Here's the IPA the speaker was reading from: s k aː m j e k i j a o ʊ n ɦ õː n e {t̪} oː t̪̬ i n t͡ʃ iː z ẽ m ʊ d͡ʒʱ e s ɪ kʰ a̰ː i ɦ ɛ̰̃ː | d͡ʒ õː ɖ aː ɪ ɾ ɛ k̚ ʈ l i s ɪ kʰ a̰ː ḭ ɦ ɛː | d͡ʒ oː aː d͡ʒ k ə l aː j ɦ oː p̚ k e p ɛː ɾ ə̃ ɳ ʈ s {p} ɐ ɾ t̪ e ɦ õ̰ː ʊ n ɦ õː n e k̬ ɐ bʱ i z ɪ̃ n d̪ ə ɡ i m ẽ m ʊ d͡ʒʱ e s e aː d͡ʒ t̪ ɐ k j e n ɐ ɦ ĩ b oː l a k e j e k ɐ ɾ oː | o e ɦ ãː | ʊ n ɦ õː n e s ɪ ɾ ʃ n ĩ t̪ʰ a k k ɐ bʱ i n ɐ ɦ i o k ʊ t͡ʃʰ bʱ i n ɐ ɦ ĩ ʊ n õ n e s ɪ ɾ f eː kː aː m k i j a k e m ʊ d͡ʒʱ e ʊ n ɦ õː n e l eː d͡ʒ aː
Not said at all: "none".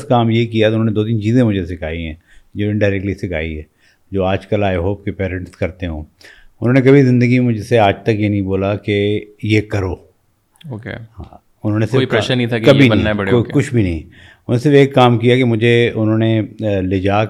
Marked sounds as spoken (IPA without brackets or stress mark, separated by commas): d̪, k